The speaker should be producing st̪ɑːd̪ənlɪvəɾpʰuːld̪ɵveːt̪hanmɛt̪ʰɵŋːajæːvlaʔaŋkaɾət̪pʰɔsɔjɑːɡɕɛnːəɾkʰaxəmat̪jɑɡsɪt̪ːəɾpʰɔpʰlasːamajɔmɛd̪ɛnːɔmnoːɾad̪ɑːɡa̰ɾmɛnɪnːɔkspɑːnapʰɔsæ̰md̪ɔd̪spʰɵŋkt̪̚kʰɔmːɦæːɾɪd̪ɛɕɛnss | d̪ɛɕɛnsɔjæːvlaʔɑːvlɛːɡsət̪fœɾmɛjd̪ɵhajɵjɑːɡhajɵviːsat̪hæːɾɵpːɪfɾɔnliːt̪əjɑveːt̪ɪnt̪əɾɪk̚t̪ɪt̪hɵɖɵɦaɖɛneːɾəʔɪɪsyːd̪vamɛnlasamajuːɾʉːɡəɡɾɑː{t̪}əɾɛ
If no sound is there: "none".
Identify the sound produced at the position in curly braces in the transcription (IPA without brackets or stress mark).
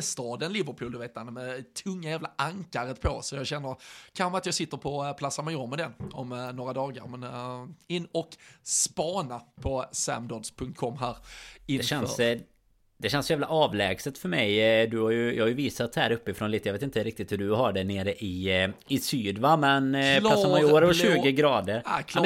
d̪